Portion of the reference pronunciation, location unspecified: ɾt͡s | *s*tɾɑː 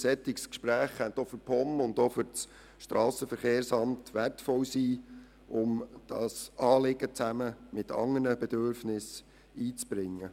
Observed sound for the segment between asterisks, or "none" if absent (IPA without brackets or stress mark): ʃ